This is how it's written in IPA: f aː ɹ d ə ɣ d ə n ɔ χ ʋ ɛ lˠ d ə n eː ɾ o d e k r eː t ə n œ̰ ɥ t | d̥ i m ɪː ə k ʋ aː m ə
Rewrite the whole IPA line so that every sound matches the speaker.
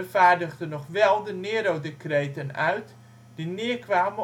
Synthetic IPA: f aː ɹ d ə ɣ d ə n ɔ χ ʋ ɛ lˠ d ə n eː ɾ o d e k r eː t ə n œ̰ ɥ t | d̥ i n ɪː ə k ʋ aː m ə